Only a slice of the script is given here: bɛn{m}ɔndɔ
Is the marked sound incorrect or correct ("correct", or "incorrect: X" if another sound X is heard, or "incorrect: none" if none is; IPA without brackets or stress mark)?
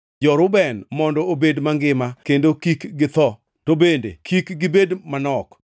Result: correct